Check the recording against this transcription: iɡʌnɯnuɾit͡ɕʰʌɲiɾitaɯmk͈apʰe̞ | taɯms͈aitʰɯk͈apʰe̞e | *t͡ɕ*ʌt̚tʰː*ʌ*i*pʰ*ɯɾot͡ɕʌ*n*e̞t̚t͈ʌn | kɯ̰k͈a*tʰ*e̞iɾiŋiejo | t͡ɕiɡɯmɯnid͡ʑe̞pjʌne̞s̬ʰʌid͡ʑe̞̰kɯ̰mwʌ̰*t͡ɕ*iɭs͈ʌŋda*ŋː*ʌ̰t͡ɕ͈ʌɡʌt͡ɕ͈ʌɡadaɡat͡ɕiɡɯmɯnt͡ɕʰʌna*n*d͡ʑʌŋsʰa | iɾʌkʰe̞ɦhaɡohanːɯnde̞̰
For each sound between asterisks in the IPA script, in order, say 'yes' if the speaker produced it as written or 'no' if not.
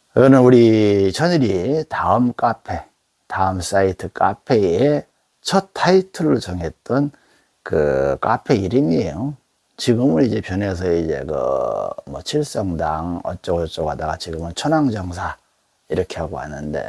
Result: no, no, no, no, no, no, no, no

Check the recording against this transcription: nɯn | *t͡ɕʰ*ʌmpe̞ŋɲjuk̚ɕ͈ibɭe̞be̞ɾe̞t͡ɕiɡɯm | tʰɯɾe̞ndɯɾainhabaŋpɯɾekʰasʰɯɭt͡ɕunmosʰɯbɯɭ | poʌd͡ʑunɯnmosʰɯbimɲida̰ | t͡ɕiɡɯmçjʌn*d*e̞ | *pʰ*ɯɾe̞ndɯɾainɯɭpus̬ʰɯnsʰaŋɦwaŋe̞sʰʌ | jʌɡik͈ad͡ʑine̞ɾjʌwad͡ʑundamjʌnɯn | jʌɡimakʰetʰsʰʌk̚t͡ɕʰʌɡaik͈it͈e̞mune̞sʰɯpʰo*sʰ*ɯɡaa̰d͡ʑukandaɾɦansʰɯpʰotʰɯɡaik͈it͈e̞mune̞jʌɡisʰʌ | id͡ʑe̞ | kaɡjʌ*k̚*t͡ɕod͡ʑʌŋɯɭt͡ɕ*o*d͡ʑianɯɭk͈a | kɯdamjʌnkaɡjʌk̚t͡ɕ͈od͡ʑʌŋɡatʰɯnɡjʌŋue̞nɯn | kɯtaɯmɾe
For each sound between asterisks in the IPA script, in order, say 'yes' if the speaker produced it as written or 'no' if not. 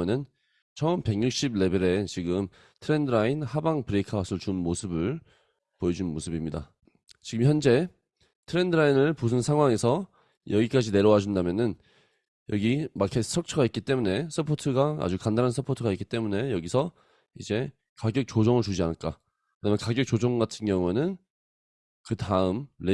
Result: yes, no, no, no, yes, no

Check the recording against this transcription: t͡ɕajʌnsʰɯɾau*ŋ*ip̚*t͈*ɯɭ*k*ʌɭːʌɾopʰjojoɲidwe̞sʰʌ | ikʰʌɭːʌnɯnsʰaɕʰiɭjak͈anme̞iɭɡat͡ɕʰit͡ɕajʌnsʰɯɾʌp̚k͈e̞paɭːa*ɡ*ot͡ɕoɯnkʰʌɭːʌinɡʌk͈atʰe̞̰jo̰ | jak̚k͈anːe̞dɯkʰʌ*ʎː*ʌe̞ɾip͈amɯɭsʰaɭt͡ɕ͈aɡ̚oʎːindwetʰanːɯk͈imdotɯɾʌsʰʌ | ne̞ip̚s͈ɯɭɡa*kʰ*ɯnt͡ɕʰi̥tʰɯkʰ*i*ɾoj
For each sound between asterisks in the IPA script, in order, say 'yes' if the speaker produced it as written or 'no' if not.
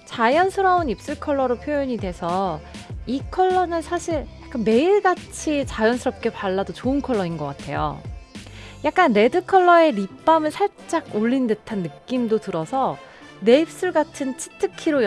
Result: no, no, no, no, no, no, yes

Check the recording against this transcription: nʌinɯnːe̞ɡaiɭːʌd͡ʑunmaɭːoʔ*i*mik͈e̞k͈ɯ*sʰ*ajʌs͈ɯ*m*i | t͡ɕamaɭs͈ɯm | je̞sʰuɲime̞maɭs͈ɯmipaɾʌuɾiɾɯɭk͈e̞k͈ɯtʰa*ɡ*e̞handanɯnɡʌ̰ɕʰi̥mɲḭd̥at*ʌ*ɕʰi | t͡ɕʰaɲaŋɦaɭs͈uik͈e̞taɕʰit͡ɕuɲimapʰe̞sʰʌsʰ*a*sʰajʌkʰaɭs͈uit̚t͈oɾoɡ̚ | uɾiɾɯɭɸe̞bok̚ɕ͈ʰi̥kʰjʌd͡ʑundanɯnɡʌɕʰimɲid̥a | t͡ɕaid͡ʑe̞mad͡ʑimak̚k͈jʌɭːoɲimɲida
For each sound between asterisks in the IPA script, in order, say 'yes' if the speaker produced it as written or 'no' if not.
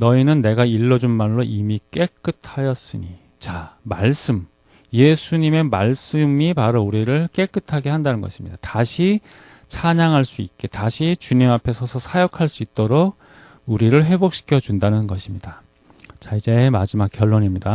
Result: yes, no, no, yes, no, no

